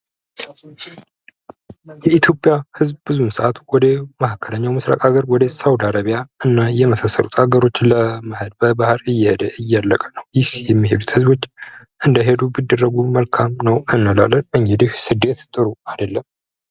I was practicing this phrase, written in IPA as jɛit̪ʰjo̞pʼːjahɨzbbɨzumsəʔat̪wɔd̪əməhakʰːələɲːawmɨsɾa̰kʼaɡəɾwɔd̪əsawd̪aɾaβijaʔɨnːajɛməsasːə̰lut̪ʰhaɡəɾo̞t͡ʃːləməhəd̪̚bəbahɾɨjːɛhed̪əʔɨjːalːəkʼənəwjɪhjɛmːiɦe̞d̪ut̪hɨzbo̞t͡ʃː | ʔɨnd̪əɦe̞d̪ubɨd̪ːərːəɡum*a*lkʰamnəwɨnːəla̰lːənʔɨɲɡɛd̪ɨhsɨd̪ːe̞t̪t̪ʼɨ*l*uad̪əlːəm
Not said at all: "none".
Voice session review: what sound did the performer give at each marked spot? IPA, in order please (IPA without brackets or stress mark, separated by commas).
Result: ə, ɾ